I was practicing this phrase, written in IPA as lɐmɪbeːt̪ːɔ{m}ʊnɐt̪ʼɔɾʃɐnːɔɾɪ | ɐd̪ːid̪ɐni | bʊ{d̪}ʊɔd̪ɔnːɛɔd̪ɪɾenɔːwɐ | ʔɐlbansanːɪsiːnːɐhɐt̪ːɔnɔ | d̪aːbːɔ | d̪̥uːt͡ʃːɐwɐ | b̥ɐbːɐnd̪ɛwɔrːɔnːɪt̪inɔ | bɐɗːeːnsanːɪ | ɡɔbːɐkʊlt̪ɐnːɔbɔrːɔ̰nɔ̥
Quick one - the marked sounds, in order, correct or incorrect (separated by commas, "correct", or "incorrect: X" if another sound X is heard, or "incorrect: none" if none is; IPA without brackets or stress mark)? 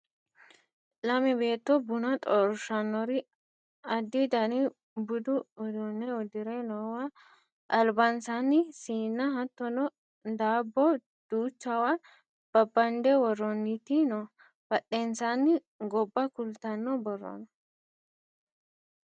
incorrect: b, correct